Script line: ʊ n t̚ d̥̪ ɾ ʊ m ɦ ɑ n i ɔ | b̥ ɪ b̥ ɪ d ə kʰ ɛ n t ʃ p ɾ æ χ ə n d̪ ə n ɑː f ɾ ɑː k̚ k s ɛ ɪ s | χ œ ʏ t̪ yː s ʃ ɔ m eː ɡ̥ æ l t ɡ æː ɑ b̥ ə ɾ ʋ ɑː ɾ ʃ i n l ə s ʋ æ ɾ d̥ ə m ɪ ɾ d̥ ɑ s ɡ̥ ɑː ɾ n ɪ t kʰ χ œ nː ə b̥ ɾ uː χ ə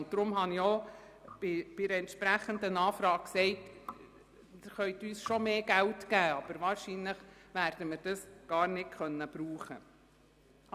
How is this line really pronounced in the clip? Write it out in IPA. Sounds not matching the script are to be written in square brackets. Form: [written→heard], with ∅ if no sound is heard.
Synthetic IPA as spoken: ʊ n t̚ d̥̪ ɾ ʊ m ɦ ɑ n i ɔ | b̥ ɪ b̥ ɪ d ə [kʰ→∅] ɛ n t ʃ p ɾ æ χ ə n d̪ ə n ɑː f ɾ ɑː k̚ k s ɛ ɪ [s→t] | χ œ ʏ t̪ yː s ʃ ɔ m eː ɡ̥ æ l t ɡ æː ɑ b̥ ə ɾ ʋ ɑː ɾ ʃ i n l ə [s→χ] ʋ æ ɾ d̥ ə m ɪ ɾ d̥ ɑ s ɡ̥ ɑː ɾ n ɪ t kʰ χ œ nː ə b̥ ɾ uː χ ə